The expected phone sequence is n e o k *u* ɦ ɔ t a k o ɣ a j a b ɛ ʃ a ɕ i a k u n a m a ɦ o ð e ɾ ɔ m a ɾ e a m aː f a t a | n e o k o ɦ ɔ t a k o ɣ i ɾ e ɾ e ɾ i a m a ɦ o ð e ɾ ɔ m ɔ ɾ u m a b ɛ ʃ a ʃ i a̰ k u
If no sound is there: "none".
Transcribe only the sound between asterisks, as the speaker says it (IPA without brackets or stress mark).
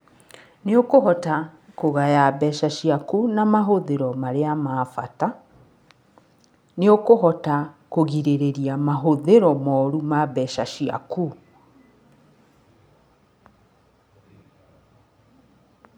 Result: o